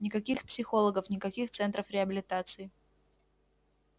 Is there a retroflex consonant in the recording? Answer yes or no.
no